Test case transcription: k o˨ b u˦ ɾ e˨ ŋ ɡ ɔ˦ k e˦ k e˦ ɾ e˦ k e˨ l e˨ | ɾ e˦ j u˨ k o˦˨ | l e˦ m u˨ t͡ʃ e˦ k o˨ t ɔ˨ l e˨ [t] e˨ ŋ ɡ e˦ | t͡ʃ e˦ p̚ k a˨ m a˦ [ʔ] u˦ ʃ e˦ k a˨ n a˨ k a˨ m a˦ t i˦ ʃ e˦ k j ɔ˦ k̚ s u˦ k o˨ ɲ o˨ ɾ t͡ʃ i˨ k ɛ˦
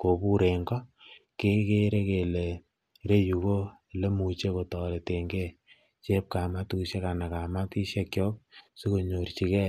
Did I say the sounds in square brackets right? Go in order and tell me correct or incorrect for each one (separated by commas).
correct, incorrect